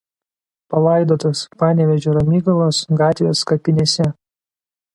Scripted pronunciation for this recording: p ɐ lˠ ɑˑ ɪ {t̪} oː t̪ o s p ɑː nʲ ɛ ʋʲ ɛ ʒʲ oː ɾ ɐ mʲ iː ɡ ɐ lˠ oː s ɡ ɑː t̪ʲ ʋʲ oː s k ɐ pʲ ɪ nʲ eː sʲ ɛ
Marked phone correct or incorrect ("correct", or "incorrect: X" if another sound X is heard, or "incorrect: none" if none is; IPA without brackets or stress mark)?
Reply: incorrect: d̪